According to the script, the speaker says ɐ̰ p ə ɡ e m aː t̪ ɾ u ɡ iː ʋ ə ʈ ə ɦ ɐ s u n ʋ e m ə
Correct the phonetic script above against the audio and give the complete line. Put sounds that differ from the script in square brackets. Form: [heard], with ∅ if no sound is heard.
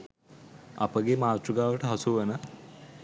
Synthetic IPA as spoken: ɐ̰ p ə ɡ e m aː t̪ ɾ u ɡ [aː] ʋ ə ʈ ə ɦ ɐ s u [∅] ʋ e [n] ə